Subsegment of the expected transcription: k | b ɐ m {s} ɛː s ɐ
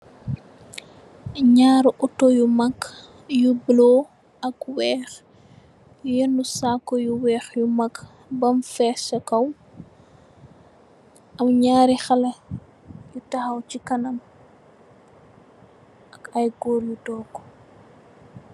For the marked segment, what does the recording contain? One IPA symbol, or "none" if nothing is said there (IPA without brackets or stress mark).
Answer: f